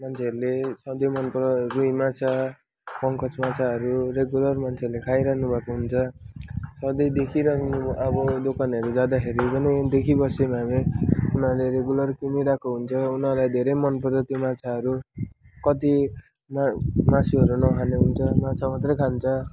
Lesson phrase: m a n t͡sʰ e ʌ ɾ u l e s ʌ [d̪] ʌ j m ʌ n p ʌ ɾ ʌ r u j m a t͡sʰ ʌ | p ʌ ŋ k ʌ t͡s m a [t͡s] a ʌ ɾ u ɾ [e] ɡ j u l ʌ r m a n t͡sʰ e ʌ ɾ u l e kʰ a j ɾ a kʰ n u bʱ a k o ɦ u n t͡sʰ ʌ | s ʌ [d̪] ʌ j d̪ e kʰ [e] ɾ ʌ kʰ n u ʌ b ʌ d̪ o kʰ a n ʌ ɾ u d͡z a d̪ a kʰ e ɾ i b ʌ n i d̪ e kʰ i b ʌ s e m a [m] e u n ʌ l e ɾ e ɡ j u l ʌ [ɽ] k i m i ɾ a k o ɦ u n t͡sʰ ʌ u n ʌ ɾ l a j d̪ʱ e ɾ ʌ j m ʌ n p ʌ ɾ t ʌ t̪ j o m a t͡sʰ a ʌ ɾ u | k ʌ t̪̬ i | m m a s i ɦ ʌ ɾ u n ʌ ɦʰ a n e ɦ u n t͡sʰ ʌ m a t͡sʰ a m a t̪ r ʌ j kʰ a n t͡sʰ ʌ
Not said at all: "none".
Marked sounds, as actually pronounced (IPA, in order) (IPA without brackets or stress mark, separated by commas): d̪, t͡sʰ, e, d̪, i, m, r